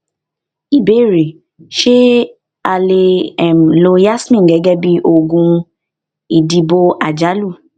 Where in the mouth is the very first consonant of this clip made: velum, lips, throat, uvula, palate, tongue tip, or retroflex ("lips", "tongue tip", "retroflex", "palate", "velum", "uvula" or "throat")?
lips